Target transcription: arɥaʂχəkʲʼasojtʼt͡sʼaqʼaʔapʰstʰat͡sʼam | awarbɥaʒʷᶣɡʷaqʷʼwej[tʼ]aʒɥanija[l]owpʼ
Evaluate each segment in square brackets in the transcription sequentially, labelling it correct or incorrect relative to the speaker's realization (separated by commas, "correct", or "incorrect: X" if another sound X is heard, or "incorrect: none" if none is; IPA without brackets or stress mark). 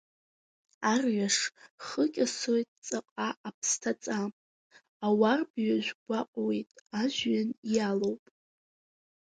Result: correct, correct